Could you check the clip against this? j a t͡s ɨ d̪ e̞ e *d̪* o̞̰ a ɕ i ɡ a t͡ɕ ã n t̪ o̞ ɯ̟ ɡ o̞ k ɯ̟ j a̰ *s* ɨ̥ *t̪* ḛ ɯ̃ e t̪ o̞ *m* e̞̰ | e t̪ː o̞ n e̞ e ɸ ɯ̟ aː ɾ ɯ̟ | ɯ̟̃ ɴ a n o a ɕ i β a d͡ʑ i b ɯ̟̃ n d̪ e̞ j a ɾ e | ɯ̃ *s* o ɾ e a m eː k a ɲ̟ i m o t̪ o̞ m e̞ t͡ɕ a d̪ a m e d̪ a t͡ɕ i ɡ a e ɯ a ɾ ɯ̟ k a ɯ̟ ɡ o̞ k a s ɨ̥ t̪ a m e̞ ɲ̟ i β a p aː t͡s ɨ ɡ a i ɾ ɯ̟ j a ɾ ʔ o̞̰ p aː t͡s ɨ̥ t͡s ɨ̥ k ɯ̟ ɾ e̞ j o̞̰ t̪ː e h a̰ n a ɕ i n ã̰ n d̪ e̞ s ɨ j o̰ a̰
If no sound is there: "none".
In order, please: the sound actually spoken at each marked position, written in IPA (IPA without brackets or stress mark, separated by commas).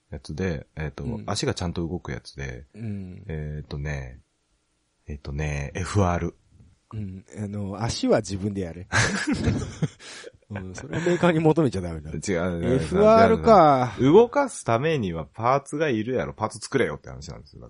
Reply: t̪, t͡s, d̪, n, s